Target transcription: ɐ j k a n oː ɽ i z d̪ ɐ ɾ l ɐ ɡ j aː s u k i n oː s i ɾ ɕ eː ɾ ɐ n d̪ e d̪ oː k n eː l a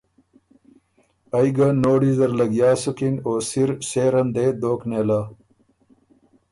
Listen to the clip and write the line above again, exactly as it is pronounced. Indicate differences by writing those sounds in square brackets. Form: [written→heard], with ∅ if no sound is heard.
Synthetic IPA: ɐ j [k→ɡ] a n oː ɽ i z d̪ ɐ ɾ l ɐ ɡ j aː s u k i n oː s i ɾ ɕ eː ɾ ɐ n d̪ e d̪ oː k n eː l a